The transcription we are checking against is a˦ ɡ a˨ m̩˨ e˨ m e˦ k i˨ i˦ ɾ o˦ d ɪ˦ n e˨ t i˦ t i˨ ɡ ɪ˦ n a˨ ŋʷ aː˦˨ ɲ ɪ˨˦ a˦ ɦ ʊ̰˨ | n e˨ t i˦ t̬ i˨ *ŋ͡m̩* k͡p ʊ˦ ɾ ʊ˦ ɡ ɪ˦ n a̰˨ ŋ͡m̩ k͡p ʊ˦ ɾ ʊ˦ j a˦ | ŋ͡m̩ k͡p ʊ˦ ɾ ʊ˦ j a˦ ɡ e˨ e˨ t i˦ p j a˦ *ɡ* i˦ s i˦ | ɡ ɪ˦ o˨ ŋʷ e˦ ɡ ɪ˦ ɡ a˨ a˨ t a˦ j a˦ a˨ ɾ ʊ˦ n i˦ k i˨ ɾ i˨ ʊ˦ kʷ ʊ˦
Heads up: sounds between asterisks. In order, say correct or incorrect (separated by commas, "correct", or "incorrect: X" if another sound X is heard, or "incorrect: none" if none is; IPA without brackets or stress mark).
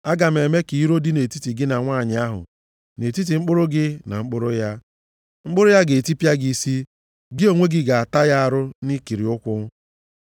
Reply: correct, correct